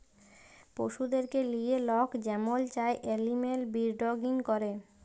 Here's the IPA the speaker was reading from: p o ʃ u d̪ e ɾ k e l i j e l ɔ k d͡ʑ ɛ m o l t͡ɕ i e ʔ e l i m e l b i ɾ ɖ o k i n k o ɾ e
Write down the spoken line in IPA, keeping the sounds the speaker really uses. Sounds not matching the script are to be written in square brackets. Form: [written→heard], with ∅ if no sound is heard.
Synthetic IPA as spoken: p o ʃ u d̪ e ɾ k e l i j e l ɔ k d͡ʑ ɛ m o l t͡ɕ [i→a] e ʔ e l i m e l b i ɾ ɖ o [k→ɡ] i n k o ɾ e